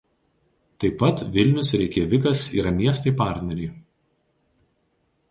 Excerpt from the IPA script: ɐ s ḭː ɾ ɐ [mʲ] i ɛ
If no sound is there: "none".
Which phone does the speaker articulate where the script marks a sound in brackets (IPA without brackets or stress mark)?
mʲ